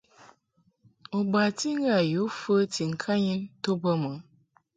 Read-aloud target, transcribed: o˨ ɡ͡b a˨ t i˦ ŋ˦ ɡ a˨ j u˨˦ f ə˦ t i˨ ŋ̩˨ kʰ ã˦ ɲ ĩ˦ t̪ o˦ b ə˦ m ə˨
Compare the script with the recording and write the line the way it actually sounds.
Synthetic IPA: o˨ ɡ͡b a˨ t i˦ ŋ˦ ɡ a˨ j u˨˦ f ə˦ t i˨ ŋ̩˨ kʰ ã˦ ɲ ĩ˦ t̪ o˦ b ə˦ m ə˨